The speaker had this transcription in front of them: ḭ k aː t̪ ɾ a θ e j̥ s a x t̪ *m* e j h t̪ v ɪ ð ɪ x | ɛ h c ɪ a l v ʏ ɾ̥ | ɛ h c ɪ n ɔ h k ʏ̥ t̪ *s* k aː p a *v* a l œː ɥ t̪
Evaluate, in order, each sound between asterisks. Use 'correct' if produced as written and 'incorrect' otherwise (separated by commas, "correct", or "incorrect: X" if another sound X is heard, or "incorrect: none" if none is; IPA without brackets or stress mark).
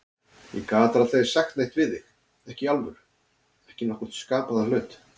incorrect: n, correct, incorrect: ð